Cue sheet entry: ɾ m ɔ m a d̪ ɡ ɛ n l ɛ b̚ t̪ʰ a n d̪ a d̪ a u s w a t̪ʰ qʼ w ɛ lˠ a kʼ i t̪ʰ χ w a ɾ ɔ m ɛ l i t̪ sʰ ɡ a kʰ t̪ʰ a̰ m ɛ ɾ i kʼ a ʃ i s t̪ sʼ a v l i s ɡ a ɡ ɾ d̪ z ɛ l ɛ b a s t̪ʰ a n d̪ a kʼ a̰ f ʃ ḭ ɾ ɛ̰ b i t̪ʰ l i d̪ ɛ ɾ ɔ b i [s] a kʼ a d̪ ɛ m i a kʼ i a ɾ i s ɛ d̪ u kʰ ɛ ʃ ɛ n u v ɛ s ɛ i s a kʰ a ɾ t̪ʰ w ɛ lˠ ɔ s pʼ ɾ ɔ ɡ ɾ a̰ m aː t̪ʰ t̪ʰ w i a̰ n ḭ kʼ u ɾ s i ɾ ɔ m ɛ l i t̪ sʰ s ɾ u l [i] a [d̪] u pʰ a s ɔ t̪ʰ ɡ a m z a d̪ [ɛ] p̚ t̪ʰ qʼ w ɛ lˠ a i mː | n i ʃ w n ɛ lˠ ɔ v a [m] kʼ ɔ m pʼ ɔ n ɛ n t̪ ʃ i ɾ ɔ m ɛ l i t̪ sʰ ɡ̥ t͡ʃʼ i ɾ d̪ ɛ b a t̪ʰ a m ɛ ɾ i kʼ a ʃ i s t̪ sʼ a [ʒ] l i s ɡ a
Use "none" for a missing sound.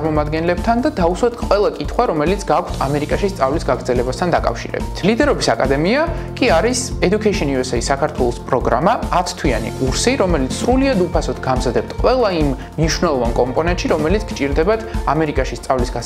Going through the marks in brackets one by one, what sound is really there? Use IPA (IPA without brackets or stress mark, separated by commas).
s, i, d̪, ɛ, n, v